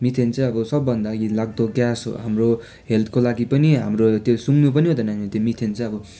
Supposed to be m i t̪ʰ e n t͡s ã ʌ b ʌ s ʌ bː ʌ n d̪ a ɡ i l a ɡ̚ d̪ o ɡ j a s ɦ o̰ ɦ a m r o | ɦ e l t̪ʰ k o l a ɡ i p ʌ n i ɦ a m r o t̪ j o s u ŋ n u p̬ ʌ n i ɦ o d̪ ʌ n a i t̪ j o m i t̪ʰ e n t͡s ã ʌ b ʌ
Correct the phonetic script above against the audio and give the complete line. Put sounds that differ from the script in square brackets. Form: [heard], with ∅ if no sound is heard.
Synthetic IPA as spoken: m i t̪ʰ e n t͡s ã ʌ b ʌ s ʌ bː ʌ n d̪ a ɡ i l a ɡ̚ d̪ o ɡ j a s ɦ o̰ ɦ a m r o | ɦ e l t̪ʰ k o l a ɡ i p ʌ n i ɦ a m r o t̪ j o s u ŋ n u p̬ ʌ n i ɦ o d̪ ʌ n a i t̪ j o m i t̪ʰ e n t͡s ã ʌ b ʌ